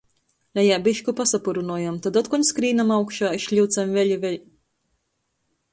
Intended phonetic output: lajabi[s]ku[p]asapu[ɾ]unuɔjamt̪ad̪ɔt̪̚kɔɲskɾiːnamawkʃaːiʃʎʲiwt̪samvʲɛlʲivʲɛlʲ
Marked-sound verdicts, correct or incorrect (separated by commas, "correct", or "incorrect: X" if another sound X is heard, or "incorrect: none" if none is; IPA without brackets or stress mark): incorrect: ʃ, correct, correct